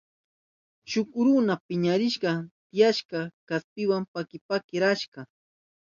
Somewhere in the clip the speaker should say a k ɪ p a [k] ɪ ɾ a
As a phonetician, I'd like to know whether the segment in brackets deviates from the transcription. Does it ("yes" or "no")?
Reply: no